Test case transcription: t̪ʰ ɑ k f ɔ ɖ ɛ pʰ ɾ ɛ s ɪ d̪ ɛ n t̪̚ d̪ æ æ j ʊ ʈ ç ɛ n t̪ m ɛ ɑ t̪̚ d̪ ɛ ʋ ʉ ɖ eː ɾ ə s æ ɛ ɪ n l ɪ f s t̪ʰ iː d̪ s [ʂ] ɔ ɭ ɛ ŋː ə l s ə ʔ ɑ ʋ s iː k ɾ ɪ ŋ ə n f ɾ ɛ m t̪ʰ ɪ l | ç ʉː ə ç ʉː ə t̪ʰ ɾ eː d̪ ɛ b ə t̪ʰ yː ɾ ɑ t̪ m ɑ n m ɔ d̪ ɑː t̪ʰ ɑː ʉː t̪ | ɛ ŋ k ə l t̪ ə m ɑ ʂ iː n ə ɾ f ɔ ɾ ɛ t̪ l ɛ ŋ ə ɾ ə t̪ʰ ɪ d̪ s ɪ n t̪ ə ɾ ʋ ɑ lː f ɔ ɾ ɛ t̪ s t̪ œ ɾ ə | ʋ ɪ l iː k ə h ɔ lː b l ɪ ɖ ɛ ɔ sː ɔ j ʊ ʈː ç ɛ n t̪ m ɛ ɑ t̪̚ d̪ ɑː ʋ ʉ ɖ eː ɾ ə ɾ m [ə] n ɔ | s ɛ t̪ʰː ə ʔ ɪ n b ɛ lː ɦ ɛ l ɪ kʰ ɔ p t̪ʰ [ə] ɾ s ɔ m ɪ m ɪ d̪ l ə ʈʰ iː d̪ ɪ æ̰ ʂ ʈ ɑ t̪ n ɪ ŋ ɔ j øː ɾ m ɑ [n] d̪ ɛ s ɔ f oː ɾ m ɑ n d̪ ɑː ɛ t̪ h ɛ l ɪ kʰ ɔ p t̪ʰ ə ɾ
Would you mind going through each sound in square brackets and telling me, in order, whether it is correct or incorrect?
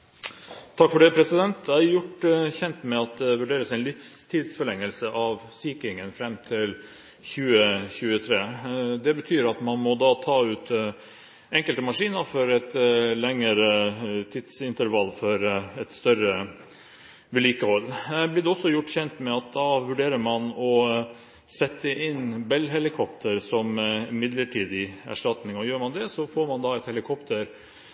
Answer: incorrect: f, incorrect: ɑ, correct, correct

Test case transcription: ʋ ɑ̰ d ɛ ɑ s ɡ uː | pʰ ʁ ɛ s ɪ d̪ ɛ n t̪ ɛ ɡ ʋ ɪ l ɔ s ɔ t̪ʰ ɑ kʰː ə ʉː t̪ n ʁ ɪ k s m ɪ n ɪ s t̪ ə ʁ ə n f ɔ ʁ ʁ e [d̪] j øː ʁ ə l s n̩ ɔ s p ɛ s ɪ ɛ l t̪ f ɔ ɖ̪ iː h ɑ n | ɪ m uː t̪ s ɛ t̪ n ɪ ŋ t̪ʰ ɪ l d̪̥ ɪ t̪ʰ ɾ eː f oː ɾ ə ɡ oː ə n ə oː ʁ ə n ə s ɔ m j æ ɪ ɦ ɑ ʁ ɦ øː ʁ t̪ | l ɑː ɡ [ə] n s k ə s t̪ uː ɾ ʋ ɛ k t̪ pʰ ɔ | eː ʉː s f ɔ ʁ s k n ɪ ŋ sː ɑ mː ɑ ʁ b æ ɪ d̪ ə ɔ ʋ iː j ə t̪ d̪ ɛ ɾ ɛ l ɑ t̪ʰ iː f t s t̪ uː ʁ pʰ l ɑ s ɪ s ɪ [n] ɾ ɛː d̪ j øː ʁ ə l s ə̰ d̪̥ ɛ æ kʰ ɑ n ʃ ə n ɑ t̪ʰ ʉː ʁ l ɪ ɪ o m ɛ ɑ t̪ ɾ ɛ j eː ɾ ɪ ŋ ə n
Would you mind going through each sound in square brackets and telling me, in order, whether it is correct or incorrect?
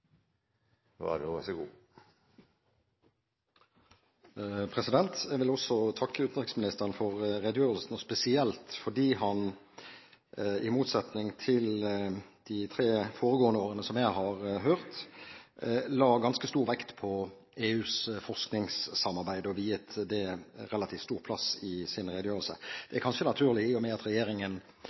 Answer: correct, incorrect: ɑ, correct

